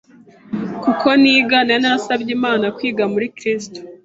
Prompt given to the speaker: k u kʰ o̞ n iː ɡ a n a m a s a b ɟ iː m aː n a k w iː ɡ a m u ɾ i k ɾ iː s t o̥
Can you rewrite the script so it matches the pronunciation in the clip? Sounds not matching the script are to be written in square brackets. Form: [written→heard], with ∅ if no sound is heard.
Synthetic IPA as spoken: k u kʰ o̞ n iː ɡ a n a [m→n] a s a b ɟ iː m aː n a k w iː ɡ a m u ɾ i k ɾ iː s t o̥